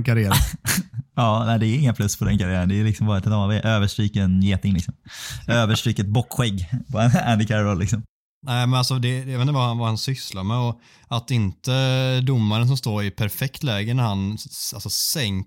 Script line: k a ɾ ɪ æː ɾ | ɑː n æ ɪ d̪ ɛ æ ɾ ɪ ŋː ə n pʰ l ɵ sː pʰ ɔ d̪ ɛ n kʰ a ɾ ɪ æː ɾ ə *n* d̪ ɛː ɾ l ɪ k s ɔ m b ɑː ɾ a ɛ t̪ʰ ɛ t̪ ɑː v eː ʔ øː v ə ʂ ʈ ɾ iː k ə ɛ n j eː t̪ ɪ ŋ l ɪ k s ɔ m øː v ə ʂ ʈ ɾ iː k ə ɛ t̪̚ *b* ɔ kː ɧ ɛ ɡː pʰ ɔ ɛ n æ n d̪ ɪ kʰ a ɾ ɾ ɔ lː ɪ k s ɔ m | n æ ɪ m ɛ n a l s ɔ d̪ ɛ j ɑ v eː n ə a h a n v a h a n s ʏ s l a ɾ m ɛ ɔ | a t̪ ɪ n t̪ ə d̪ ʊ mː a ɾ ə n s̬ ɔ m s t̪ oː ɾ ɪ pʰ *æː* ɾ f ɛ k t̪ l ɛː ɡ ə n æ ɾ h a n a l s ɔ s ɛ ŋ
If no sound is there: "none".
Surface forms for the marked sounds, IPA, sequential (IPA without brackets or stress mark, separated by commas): n, b, æ